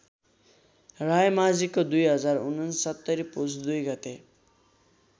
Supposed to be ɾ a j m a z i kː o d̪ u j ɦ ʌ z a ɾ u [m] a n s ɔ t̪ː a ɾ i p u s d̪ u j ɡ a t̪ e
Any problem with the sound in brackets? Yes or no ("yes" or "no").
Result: yes